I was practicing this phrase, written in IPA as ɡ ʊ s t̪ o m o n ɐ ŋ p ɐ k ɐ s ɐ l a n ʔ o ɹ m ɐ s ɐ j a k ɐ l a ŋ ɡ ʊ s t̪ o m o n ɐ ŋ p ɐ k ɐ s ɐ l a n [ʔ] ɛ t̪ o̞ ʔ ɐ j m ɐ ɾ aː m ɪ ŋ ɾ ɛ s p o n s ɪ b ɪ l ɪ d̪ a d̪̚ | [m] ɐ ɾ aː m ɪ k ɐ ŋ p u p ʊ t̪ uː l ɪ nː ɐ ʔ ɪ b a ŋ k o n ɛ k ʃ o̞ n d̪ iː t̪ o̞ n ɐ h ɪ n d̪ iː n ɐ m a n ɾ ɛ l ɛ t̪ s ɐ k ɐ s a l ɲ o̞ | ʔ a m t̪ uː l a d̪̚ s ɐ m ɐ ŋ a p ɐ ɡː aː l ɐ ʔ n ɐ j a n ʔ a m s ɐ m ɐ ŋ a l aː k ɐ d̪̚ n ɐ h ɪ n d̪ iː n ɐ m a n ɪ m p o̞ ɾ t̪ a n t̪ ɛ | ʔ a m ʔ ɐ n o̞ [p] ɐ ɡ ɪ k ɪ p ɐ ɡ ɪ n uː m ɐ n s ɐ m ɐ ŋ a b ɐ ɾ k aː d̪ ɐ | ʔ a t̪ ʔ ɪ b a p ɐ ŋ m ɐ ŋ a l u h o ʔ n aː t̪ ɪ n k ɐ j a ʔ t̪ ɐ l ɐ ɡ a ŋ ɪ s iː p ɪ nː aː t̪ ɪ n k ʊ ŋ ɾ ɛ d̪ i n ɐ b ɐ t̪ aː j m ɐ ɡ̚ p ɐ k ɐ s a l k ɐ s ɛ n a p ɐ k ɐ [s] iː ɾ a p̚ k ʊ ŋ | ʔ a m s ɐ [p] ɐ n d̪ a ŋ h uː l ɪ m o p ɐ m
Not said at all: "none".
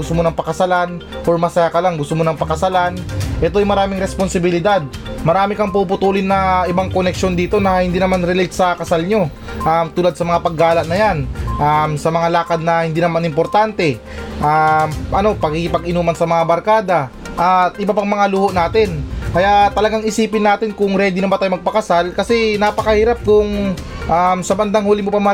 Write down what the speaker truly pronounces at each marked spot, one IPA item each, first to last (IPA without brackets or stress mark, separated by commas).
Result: ʔ, m, p, h, b